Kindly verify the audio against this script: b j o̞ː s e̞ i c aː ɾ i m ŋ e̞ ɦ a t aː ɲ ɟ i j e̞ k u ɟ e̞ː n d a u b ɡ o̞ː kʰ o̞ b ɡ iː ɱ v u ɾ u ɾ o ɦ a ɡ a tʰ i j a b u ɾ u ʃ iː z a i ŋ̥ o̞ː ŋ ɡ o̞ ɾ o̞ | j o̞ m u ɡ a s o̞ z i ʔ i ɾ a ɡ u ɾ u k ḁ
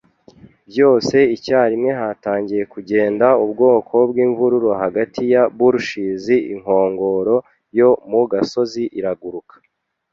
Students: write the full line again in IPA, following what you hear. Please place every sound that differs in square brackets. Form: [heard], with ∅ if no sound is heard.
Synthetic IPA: b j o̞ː s e̞ i c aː ɾ i m ŋ e̞ ɦ a t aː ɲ ɟ i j e̞ k u ɟ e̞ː n d a u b ɡ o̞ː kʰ o̞ b ɡ iː ɱ v u ɾ u ɾ o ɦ a ɡ a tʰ i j a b u ɾ u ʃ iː z [i] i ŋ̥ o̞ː ŋ ɡ o̞ ɾ o̞ | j o̞ m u ɡ a s o̞ z i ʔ i ɾ a ɡ u ɾ u k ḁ